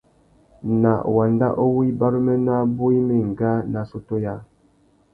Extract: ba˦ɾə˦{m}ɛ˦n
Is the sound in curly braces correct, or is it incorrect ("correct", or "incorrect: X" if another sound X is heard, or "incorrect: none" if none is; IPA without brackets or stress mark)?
correct